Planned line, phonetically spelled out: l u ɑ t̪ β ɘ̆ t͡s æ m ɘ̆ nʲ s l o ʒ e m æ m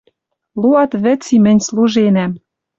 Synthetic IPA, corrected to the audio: l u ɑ t̪ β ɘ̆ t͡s i m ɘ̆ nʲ s l u ʒ e n æ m